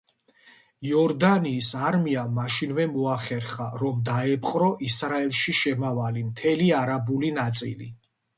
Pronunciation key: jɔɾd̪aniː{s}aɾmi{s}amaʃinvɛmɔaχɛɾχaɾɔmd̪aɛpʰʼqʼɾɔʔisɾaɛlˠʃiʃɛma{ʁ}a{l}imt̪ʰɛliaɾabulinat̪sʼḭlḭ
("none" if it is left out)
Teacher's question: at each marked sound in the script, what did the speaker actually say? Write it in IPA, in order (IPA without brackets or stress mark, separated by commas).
s, none, v, l